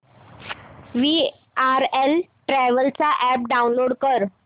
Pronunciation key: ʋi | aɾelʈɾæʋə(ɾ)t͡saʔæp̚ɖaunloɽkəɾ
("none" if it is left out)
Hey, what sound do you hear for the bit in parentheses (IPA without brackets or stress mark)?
l